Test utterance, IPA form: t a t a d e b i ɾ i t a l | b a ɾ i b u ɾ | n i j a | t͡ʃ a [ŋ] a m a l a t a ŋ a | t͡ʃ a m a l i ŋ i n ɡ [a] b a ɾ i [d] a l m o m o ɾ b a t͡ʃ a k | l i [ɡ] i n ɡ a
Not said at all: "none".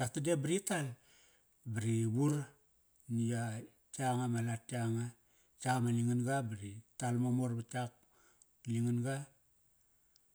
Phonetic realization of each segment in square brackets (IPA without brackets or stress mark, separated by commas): ŋ, a, t, ŋ